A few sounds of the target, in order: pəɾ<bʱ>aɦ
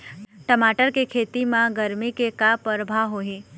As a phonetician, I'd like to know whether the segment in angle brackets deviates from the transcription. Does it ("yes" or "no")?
no